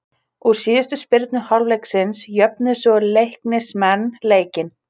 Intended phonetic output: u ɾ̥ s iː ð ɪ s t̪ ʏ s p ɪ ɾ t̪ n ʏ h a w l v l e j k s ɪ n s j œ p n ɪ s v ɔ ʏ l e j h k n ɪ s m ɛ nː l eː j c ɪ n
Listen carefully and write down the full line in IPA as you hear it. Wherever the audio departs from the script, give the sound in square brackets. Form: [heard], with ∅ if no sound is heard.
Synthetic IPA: u ɾ̥ s iː ð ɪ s t̪ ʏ s p ɪ ɾ t̪ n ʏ h a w l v l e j k s ɪ n s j œ p n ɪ s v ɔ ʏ l e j h k n ɪ s m ɛ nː l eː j c ɪ n